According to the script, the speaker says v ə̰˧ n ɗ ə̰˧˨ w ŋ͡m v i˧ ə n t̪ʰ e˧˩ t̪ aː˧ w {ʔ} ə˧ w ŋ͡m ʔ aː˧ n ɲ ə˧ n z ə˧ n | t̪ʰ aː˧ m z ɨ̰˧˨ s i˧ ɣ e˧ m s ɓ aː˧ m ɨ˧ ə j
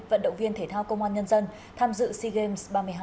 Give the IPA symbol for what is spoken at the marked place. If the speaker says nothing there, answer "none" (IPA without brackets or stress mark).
k